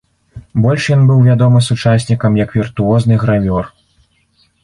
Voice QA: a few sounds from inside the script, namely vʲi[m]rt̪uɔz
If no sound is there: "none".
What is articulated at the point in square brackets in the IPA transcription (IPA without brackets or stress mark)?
none